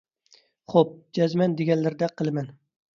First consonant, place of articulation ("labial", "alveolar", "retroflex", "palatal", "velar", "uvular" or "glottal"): uvular